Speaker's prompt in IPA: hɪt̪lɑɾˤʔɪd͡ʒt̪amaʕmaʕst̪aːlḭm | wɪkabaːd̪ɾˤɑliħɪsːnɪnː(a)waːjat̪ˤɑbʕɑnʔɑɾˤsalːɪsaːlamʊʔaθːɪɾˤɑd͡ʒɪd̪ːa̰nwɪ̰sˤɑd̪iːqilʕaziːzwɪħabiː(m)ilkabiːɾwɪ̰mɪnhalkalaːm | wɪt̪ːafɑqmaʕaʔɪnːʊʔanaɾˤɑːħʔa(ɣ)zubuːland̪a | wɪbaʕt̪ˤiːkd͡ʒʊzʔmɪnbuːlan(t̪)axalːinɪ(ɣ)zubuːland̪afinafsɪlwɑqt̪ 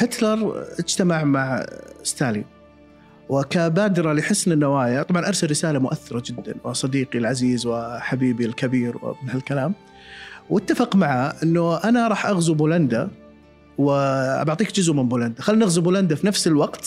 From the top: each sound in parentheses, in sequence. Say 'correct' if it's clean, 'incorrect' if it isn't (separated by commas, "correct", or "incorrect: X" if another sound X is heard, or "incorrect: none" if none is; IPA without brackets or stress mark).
correct, incorrect: b, correct, incorrect: d̪, correct